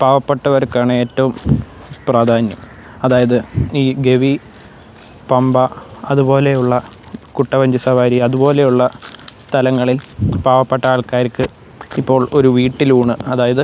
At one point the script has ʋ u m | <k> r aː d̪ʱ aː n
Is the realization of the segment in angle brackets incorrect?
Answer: yes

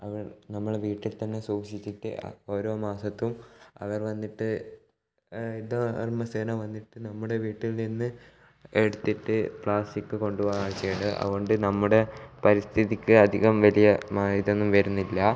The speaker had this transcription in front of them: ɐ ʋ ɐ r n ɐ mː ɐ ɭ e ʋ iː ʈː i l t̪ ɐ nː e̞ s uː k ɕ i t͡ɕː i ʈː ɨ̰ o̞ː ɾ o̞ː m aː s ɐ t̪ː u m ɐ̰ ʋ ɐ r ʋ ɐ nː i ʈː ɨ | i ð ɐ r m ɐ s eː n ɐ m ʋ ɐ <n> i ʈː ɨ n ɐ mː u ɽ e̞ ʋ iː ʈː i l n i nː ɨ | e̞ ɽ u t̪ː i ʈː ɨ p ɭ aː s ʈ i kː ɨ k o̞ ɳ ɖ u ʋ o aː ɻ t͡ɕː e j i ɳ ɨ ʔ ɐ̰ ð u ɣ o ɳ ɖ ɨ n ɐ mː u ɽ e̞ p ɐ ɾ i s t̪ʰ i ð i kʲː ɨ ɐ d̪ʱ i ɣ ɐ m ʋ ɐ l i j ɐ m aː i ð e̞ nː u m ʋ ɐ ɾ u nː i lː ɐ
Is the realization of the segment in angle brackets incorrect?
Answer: yes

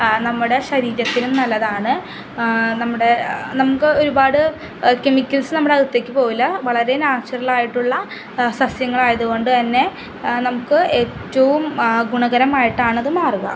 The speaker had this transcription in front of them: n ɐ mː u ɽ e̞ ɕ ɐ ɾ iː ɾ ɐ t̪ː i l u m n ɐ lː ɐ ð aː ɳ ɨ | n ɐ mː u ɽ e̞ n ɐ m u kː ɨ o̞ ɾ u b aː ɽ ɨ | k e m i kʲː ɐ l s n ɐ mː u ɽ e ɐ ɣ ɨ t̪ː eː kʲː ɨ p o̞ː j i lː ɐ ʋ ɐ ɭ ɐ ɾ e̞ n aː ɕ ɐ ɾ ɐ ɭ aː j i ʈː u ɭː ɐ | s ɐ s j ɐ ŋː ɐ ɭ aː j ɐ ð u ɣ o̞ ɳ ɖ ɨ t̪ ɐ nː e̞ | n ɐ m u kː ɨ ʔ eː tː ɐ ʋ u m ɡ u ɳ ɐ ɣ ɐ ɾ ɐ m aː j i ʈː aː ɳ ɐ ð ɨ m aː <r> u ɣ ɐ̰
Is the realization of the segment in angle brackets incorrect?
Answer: no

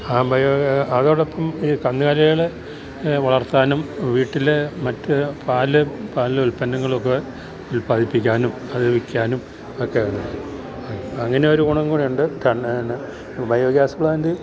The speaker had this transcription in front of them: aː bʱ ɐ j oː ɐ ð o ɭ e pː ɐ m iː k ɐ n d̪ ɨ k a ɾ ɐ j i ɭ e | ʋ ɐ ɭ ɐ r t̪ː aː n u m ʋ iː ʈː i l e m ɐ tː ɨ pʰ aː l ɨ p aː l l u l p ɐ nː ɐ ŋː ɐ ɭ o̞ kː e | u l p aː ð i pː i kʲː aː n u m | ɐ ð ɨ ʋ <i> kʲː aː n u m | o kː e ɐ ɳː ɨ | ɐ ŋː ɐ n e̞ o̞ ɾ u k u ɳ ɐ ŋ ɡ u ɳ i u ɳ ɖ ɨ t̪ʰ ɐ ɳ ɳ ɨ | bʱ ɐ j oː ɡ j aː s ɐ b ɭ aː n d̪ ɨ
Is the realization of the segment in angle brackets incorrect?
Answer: no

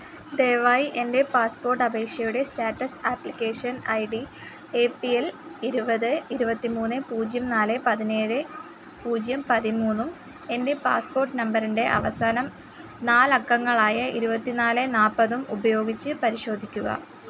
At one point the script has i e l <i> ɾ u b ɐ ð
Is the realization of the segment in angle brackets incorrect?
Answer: no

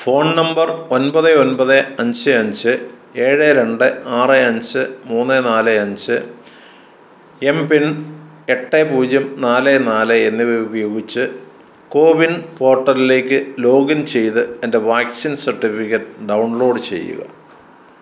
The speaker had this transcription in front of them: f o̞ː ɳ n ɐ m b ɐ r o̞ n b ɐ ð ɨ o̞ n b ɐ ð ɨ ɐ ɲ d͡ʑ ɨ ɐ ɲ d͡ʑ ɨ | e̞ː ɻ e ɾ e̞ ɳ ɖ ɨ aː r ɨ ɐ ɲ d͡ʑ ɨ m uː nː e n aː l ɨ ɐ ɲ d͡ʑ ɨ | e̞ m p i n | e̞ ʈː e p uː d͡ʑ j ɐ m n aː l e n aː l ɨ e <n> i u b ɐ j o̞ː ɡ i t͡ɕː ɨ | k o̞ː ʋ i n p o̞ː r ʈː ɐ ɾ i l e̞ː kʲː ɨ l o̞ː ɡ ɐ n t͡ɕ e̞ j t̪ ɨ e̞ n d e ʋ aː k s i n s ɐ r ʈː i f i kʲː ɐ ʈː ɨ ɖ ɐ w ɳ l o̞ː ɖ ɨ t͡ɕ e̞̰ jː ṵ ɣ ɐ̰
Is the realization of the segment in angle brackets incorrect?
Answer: yes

